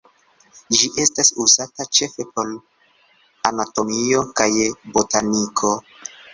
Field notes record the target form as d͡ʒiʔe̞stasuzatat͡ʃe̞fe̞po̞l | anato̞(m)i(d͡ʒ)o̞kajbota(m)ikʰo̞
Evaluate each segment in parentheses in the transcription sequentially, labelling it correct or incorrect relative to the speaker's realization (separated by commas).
correct, incorrect, incorrect